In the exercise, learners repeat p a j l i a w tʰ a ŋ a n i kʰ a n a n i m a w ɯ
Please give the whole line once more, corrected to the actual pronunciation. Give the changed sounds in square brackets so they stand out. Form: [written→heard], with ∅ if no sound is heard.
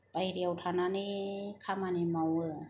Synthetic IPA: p a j [l→ɾ] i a w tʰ a [ŋ→n] a n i kʰ a [n→m] a n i m a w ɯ

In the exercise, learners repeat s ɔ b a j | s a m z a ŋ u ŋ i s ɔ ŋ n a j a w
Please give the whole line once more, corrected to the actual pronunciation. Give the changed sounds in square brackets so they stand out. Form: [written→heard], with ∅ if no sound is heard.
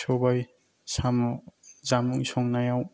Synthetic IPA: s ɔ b a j | s a m z a [ŋ→m] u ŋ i s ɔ ŋ n a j a w

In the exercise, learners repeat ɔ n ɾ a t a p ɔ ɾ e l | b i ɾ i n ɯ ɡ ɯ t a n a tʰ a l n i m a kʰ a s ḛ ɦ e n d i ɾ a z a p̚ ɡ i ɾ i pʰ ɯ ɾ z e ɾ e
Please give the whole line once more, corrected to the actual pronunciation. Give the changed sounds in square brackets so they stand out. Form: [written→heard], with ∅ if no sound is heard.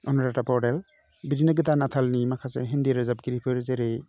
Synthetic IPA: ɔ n ɾ a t a p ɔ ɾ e l | b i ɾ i n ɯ ɡ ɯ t a n a tʰ a l n i m a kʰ a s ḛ ɦ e n d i ɾ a z a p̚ ɡ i ɾ i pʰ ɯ ɾ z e ɾ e

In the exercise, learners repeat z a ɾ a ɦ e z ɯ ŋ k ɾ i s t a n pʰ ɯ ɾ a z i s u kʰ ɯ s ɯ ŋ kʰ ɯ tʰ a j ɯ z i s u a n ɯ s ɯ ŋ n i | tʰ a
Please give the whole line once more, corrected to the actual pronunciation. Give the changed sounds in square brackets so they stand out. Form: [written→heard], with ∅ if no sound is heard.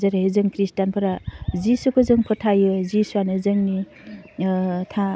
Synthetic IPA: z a ɾ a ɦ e z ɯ ŋ k ɾ i s t a n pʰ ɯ ɾ a z i s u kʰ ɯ [s→z] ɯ ŋ [kʰ→pʰ] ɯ tʰ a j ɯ z i s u a n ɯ [s→z] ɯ ŋ n i | tʰ a

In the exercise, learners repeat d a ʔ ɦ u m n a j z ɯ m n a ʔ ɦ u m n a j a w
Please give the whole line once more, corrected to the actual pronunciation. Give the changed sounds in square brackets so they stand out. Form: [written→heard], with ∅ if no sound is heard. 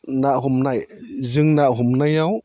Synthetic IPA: [d→n] a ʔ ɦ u m n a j z ɯ [m→ŋ] n a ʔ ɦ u m n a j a w

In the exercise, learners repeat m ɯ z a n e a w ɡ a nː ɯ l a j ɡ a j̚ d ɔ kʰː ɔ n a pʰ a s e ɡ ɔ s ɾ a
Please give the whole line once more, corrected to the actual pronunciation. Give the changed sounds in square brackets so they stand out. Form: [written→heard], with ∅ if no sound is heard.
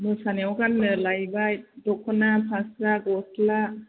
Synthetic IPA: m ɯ [z→s] a n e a w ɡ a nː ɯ l a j [ɡ→b] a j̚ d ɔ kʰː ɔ n a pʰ a s [e→a] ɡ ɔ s [ɾ→l] a

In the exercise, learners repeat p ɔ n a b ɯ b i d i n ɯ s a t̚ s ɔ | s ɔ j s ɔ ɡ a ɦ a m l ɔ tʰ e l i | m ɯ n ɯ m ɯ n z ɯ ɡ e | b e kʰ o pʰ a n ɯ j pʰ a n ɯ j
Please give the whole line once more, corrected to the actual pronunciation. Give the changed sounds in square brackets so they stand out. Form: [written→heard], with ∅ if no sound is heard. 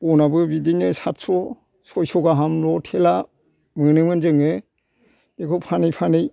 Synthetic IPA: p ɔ n a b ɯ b i d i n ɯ s a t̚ s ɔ | s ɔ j s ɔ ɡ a ɦ a m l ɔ tʰ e l [i→a] | m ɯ n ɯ m ɯ n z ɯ [ɡ→ŋ] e | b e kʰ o pʰ a n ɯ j pʰ a n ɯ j

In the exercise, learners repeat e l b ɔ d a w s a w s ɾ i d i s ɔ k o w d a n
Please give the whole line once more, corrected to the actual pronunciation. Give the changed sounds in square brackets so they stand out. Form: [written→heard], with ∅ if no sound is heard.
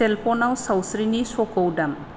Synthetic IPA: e l [b→p] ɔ [d→n] a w s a w s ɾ i [d→n] i s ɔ k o w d a [n→m]

